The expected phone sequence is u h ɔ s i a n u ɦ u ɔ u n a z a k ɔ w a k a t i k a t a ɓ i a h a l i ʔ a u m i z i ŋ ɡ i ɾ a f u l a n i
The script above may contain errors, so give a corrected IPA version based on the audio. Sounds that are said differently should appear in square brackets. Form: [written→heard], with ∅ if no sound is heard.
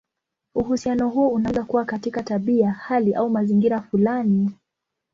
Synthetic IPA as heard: u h [ɔ→u] s i a n [u→ɔ] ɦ u ɔ u n a z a k [ɔ→u] w a k a t i k a t a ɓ i a h a l i ʔ a u m [i→a] z i ŋ ɡ i ɾ a f u l a n i